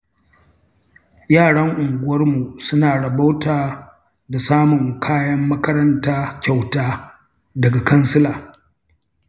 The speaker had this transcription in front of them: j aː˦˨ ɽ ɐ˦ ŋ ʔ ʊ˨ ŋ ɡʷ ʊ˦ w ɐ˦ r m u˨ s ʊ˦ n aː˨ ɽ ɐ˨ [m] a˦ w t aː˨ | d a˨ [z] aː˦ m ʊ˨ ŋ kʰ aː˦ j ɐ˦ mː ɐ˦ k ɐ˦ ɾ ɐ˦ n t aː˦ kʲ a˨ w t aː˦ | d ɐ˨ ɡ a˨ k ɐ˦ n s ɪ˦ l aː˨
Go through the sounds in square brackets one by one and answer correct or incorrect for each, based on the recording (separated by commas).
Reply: incorrect, incorrect